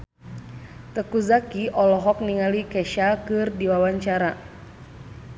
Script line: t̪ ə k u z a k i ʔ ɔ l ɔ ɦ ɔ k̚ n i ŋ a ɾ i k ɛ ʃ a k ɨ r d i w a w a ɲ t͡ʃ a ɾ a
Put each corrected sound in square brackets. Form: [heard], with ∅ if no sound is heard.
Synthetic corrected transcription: t̪ ə k u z a k i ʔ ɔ l ɔ ɦ ɔ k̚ n i ŋ a [l] i k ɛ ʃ a k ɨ r d i w a w a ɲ t͡ʃ a ɾ a

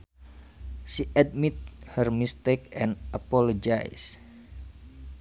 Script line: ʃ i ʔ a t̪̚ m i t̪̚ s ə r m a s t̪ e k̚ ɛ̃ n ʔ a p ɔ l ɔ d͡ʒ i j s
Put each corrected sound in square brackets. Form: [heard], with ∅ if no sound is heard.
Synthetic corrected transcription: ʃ i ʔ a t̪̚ m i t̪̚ [h] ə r m [i] s t̪ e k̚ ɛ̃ n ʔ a p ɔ l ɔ d͡ʒ [a] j s

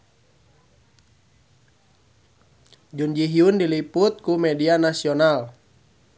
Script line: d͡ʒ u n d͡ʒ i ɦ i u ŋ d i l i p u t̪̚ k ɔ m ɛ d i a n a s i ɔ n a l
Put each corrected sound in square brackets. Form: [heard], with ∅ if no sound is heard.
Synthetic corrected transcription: d͡ʒ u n d͡ʒ i ɦ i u [n] d i l i p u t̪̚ k [u] m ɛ d i a n a s i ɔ n a l

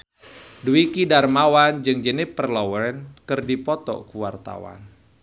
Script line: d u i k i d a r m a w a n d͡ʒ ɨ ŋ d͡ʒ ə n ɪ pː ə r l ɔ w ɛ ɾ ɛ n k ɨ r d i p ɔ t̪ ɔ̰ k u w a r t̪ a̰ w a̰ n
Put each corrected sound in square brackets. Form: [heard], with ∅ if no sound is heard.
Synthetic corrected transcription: d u i k i d a r m a w a n d͡ʒ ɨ ŋ d͡ʒ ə n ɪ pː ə r l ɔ w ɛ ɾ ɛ n k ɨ r d i p ɔ t̪ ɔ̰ k u w a r t̪ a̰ w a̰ n

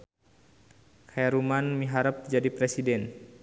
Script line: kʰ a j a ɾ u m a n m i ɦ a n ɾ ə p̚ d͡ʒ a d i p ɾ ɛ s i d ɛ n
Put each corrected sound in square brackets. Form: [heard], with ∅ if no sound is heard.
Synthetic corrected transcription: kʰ a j a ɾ u m a n m i ɦ a [∅] ɾ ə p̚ d͡ʒ a d i p ɾ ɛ s i d ɛ n

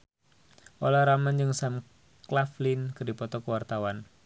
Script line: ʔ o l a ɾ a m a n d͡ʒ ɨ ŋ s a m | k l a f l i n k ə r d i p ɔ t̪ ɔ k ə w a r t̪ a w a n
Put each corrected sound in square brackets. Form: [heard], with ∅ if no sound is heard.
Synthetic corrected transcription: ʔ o l a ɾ a m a n d͡ʒ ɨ ŋ s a m | k l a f l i n k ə r d i p ɔ t̪ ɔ k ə w a r t̪ a w a n

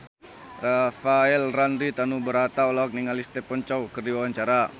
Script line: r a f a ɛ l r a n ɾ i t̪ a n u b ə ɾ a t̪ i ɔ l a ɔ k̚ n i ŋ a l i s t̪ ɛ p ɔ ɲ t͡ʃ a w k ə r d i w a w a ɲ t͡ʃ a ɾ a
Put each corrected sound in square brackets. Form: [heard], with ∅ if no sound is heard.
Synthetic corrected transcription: r a f a ɛ l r a n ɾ i t̪ a n u b ə ɾ a t̪ [a] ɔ l a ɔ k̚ n i ŋ a l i s t̪ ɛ p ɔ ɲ t͡ʃ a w k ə r d i w a w a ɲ t͡ʃ a ɾ a

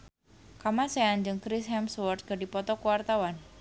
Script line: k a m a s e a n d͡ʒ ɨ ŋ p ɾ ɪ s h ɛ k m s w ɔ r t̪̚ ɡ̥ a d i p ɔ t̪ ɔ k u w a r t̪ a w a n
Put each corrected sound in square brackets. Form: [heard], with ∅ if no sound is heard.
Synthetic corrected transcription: k a m a s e a n d͡ʒ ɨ ŋ [k] ɾ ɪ s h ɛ [∅] m s w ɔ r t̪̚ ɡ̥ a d i p ɔ t̪ ɔ k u w a r t̪ a w a n

